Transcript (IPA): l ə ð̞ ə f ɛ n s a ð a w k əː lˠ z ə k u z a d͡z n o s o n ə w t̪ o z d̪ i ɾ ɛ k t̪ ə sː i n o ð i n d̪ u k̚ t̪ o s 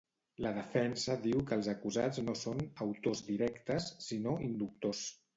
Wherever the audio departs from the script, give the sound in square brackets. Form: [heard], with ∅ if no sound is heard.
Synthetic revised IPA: l ə ð̞ ə f ɛ n s [ə] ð [i] w k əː lˠ z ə k u z a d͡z n o s o n ə w t̪ o z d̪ i ɾ ɛ k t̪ ə sː i n o [∅] i n d̪ u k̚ t̪ o s